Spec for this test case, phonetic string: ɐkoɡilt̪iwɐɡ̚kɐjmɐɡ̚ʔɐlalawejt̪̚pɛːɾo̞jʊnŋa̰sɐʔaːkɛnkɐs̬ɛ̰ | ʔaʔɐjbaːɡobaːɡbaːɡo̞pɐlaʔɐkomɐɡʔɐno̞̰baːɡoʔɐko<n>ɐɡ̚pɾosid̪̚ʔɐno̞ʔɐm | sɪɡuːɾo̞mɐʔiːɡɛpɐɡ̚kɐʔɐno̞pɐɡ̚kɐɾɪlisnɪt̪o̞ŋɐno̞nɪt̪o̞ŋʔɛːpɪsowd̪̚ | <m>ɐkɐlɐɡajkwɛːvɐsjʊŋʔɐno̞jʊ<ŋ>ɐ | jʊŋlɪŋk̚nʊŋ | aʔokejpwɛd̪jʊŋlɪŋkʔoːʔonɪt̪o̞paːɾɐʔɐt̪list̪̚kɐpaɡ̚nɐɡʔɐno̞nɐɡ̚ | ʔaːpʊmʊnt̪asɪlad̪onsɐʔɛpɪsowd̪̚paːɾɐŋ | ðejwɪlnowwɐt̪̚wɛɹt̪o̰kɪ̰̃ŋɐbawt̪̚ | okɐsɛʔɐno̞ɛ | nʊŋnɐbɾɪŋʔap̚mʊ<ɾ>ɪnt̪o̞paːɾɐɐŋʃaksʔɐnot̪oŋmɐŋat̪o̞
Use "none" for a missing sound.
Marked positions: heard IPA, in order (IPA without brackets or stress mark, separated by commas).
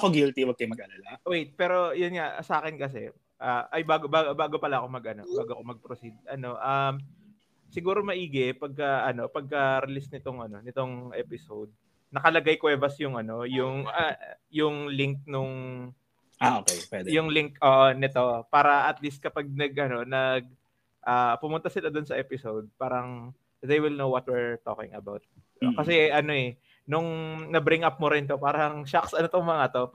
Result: m, n, ŋ, ɾ